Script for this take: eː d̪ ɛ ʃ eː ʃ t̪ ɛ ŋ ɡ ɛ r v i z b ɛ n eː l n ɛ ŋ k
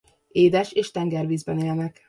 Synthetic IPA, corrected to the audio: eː d̪ ɛ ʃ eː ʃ t̪ ɛ ŋ ɡ ɛ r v iː z b ɛ n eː l n ɛ k